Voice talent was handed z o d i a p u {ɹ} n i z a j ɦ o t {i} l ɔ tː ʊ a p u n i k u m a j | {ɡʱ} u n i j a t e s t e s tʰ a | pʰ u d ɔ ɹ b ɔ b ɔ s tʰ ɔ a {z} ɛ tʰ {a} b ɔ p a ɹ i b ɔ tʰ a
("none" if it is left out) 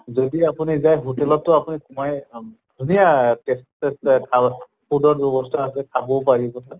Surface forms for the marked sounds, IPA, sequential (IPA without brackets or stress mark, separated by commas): none, ɛ, dʱ, s, a